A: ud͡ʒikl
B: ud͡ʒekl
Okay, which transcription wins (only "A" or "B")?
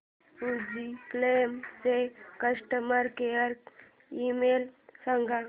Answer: A